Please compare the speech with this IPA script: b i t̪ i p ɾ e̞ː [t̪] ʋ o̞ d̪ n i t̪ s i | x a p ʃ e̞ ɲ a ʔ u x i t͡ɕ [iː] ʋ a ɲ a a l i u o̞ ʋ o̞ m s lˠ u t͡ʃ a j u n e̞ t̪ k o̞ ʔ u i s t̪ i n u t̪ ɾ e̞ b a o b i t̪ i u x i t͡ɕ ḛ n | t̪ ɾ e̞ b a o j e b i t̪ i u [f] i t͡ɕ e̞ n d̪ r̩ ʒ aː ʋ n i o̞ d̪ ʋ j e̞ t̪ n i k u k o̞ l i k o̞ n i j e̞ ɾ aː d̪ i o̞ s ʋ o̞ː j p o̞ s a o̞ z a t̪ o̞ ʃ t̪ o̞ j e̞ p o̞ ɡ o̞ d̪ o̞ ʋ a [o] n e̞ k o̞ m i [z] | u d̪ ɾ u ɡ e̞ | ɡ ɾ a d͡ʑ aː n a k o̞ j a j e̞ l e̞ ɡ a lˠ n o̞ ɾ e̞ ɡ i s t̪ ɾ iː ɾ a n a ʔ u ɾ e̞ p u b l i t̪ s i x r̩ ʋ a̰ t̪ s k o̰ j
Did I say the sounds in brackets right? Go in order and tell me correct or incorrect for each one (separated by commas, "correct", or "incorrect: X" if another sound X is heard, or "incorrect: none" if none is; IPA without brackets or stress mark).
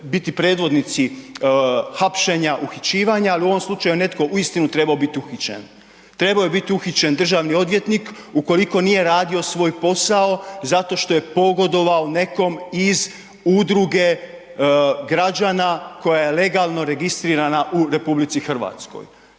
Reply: incorrect: d̪, correct, incorrect: x, correct, correct